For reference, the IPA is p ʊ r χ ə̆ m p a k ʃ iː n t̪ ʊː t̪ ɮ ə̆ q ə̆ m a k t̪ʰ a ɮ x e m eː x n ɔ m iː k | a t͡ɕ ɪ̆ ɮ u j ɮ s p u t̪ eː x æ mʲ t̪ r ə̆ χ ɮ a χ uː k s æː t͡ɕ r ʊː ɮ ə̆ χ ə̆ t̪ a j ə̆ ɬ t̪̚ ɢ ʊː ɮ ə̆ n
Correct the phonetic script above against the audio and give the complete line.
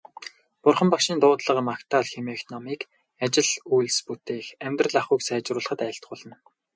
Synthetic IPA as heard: p ʊ r χ ə̆ m p a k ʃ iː n t̪ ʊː t̪ ɮ ə̆ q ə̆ m a k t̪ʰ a ɮ x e m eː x n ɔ m iː k | a t͡ɕ ɪ̆ ɮ u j ɮ s p u t̪ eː x æ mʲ t̪ r ə̆ ɮ a χ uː k s æː t͡ɕ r ʊː ɮ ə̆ χ ə̆ t̪ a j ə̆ ɬ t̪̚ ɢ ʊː ɮ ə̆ n